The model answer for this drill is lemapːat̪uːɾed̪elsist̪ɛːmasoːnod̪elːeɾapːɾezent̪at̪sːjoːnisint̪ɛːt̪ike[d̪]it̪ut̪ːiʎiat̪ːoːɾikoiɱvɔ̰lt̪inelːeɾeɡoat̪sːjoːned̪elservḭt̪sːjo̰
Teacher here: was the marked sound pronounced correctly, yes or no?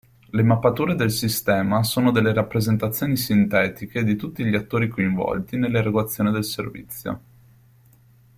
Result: yes